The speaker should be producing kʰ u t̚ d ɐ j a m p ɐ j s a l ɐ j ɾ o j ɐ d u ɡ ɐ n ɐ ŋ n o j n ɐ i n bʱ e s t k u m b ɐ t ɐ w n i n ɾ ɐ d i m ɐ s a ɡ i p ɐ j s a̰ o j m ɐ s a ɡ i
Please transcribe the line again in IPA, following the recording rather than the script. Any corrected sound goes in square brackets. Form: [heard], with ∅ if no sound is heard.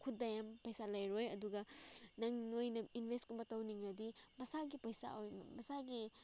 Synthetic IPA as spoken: kʰ u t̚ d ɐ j a m p ɐ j s a l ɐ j ɾ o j ɐ d u ɡ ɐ n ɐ ŋ n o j n ɐ i n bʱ e s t k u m b ɐ t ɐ w n i [ŋ] ɾ ɐ d i m ɐ s a ɡ i p ɐ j s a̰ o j m ɐ s a ɡ i